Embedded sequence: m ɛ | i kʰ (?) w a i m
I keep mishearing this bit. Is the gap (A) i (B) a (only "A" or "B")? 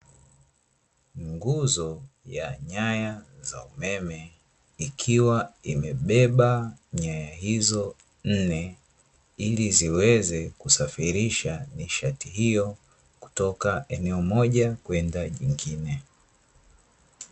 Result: A